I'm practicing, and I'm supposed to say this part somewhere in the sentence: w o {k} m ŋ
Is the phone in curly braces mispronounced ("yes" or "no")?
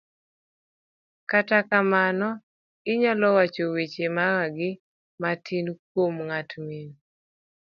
yes